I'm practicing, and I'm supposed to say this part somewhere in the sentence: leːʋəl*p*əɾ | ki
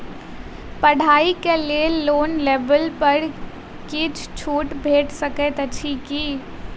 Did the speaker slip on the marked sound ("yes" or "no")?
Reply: no